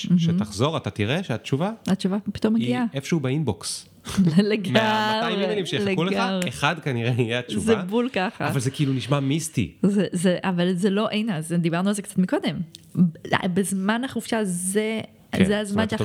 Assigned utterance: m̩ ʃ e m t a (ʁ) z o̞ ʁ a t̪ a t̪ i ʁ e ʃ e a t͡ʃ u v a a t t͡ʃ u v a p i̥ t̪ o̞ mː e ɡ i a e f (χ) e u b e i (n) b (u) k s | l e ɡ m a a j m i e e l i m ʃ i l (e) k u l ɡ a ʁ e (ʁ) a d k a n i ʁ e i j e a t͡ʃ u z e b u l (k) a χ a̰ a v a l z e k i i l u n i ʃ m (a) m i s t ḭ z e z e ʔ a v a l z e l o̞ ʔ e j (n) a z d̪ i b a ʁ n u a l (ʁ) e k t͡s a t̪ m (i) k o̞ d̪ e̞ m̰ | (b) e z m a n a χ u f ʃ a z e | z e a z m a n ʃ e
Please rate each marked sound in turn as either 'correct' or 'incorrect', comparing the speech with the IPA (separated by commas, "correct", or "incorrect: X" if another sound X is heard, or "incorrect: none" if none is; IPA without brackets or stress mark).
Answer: incorrect: χ, incorrect: ʃ, correct, incorrect: o, correct, incorrect: χ, correct, correct, correct, incorrect: z, correct, correct